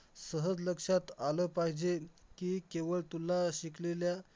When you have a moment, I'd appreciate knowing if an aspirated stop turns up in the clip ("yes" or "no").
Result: no